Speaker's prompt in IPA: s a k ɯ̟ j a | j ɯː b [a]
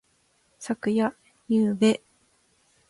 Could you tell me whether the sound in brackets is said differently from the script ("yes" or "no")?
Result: yes